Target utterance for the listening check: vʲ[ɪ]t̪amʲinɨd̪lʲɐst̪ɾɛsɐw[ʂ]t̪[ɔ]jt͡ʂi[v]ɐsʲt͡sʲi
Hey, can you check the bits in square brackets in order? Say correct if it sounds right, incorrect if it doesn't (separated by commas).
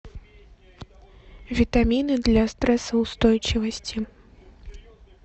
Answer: incorrect, incorrect, correct, correct